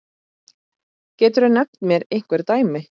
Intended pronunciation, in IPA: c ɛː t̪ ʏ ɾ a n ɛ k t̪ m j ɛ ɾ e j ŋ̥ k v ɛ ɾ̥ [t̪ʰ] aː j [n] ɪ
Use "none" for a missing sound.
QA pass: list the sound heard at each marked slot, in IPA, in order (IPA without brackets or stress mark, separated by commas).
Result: t̪, m